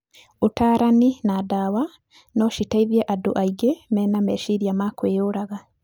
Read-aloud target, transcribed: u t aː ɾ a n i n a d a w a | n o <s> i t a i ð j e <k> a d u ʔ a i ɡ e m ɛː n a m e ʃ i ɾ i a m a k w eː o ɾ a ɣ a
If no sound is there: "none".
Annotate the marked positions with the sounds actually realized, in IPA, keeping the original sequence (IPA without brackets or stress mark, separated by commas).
ʃ, ʔ